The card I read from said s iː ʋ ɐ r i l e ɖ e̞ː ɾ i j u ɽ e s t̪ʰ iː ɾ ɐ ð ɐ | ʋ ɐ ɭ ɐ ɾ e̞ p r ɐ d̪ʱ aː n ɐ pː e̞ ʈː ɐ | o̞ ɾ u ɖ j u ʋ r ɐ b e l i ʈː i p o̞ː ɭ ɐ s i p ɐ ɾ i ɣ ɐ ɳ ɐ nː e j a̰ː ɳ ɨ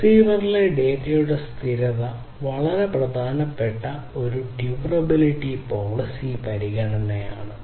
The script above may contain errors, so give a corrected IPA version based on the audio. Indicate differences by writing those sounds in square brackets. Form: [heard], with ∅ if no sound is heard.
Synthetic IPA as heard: s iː ʋ ɐ r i l e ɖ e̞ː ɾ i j u ɽ e s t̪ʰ [i] ɾ ɐ ð ɐ | ʋ ɐ ɭ ɐ ɾ e̞ p r ɐ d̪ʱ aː n ɐ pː e̞ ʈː ɐ | o̞ ɾ u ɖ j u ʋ r ɐ b [i] l i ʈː i p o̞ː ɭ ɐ s i p ɐ ɾ i ɣ ɐ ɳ ɐ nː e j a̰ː ɳ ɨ